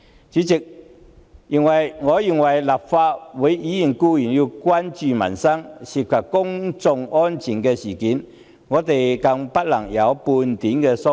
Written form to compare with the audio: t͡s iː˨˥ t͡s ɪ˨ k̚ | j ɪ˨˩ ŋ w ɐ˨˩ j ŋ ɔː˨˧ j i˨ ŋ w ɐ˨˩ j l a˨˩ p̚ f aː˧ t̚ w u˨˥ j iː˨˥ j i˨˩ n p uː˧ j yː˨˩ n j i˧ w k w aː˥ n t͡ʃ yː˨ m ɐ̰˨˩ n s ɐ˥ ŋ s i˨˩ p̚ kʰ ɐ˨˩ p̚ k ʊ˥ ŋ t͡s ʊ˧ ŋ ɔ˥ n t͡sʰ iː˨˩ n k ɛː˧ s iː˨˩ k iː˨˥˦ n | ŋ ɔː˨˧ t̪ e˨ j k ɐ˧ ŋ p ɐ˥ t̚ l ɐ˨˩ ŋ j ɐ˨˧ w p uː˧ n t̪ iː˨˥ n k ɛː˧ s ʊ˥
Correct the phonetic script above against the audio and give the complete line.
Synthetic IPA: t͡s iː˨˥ t͡s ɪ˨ k̚ | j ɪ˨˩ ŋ w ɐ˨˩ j ŋ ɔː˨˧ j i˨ ŋ w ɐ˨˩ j l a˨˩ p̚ f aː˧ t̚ w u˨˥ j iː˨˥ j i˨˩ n k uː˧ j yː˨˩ n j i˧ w k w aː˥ n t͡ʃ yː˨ m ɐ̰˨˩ n s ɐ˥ ŋ s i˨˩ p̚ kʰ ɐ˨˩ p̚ k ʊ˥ ŋ t͡s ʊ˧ ŋ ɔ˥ n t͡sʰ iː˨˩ n k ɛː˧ s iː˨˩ k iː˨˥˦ n | ŋ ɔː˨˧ t̪ e˨ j k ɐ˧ ŋ p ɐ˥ t̚ l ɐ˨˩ ŋ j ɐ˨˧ w p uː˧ n t̪ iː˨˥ n k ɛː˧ s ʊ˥

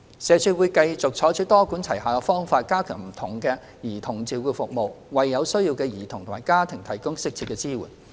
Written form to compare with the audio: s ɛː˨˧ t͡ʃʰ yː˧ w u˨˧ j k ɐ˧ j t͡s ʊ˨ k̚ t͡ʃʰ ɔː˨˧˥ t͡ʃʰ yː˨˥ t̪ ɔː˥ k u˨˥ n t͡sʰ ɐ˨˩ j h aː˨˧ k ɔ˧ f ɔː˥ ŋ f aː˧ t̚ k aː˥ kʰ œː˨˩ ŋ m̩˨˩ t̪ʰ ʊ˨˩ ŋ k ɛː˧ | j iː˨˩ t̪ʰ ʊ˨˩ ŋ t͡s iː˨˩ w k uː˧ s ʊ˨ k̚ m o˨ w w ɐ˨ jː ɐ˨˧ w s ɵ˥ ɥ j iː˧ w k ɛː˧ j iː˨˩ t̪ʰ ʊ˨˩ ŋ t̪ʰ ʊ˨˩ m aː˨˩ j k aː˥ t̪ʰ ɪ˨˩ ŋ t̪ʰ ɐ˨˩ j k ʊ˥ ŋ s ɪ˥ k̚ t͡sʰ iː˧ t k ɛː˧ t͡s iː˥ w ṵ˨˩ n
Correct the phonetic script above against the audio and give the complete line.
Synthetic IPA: s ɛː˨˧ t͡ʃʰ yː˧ w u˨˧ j k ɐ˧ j t͡s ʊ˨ k̚ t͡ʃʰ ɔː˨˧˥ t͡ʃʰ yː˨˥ t̪ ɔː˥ k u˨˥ n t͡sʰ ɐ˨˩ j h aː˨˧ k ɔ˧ f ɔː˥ ŋ f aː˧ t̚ k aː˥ kʰ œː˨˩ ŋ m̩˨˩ t̪ʰ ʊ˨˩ ŋ k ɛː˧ | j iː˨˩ t̪ʰ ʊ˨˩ ŋ t͡s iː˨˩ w k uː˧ f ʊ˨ k̚ m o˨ w w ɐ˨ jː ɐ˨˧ w s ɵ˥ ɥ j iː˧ w k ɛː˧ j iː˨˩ t̪ʰ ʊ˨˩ ŋ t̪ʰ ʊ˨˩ m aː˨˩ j k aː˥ t̪ʰ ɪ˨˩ ŋ t̪ʰ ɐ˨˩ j k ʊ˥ ŋ s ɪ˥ k̚ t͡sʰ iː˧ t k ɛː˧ t͡s iː˥ w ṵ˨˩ n

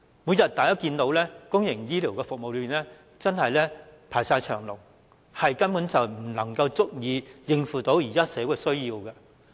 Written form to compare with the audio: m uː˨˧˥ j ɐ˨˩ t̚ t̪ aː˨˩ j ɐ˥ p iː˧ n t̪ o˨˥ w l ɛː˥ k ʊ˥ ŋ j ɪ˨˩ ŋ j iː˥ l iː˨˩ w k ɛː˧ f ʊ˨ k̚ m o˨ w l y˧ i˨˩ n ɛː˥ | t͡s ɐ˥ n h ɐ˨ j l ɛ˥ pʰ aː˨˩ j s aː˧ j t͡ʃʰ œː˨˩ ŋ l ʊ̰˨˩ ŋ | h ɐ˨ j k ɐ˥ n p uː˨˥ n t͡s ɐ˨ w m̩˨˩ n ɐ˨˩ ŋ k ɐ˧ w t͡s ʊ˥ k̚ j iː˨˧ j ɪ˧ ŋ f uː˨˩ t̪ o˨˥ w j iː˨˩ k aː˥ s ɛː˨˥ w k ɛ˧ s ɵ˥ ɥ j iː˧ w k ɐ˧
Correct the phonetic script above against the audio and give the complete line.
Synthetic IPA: m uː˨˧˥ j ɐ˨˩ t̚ t̪ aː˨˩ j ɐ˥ k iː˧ n t̪ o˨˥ w l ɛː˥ k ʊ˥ ŋ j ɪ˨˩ ŋ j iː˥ l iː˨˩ w k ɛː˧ f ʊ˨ k̚ m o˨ w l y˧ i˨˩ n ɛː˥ | t͡s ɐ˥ n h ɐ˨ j l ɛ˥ pʰ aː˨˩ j s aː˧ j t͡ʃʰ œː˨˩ ŋ l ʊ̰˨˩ ŋ | h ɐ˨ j k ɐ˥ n p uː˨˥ n t͡s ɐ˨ w m̩˨˩ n ɐ˨˩ ŋ k ɐ˧ w t͡s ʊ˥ k̚ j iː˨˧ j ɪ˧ ŋ f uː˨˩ t̪ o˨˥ w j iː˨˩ k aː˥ s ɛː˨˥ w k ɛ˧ s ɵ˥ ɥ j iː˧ w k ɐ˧

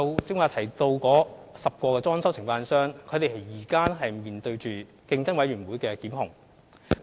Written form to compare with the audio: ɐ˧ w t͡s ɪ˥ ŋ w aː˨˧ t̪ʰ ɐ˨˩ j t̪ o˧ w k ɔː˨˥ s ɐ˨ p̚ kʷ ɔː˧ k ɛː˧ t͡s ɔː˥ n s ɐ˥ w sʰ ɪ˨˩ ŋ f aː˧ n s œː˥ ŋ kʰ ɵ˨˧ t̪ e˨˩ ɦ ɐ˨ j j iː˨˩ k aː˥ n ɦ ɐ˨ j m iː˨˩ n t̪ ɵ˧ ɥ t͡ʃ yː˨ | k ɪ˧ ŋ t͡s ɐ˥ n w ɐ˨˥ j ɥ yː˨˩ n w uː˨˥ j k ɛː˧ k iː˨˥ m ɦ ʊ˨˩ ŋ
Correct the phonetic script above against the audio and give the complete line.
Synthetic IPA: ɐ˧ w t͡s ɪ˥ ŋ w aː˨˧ t̪ʰ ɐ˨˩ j t̪ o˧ w k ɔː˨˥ s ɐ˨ p̚ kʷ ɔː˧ k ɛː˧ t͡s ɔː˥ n s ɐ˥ w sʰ ɪ˨˩ ŋ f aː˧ n s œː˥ ŋ kʰ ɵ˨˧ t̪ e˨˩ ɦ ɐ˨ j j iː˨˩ k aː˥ n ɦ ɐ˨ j m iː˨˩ n t̪ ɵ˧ ɥ t͡ʃ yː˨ | k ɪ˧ ŋ t͡s ɐ˥ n w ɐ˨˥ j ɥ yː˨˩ n w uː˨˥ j k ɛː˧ k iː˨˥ m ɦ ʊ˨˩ ŋ

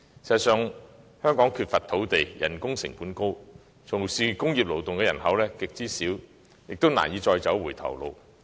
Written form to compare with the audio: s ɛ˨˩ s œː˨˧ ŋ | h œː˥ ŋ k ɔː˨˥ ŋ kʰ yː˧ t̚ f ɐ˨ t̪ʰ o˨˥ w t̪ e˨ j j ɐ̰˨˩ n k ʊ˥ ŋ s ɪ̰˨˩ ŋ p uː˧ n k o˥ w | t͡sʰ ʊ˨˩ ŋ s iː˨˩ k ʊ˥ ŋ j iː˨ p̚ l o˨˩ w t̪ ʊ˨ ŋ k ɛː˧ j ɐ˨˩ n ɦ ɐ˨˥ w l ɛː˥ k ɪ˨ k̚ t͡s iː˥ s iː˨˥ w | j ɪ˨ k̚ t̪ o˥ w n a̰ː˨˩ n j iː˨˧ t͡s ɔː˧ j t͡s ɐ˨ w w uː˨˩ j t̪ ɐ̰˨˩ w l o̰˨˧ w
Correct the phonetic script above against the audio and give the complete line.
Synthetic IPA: s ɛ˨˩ s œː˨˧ ŋ | h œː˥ ŋ k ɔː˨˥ ŋ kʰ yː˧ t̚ f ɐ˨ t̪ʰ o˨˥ w t̪ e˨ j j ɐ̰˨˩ n k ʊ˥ ŋ s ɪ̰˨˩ ŋ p uː˨˥ n k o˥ w | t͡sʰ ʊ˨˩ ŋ s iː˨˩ k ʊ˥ ŋ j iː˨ p̚ l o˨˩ w t̪ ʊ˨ ŋ k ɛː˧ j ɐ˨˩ n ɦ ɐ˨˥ w l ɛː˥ k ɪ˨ k̚ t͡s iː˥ s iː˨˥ w | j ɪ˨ k̚ t̪ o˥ w n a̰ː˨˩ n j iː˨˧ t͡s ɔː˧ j t͡s ɐ˨˥ w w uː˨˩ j t̪ʰ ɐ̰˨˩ w l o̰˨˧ w

